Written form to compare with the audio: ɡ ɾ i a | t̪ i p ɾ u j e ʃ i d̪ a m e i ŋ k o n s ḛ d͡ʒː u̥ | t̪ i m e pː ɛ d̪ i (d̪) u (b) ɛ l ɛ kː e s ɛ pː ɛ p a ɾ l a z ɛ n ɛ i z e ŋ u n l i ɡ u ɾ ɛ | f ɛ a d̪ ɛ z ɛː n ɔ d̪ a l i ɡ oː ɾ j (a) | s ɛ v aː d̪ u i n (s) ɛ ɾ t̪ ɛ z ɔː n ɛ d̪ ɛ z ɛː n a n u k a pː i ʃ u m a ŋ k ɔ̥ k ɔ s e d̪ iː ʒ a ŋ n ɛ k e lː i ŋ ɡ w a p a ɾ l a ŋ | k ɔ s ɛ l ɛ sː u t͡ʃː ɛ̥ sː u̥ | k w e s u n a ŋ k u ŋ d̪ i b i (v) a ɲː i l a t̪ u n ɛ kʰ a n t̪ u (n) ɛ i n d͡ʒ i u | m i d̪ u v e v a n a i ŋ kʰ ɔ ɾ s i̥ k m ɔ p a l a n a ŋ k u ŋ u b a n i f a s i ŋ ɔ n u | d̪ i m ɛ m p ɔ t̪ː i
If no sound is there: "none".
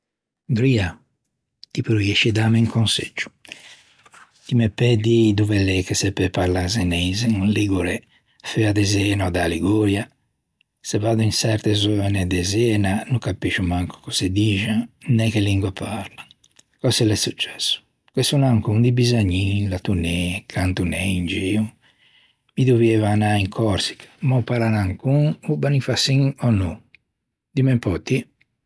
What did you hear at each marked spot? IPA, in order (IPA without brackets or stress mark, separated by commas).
d̪, v, a, s, z, n